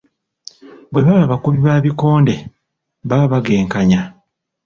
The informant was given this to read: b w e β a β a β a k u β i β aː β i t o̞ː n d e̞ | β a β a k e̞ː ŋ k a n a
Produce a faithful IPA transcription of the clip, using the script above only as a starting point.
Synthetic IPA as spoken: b w e β a β a β a k u β i β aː β i k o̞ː n d e̞ | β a β a ɡ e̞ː ŋ k a ɲ a